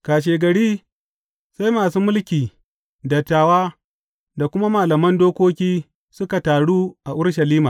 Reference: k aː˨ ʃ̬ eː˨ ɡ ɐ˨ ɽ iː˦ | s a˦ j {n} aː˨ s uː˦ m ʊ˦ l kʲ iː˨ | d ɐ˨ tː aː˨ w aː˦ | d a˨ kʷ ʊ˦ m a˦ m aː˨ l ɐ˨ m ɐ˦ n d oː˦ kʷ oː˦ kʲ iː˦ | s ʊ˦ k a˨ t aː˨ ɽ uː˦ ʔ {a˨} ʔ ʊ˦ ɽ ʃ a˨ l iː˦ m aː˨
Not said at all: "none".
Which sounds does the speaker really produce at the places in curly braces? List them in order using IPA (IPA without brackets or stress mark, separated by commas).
m, a˨